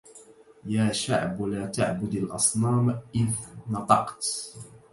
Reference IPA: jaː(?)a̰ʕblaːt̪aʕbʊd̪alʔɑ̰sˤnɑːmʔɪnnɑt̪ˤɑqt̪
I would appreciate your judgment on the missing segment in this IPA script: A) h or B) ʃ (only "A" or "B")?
B